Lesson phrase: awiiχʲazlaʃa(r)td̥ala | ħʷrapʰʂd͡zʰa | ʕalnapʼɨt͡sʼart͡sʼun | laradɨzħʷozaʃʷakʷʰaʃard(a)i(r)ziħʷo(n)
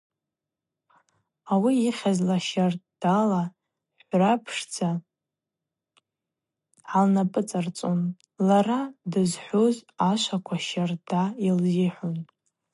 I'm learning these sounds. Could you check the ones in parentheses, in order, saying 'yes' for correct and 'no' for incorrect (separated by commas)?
yes, yes, no, yes